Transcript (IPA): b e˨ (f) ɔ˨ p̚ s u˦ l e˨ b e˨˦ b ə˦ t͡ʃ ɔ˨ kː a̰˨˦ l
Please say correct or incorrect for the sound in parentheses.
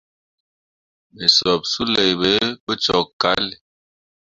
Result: incorrect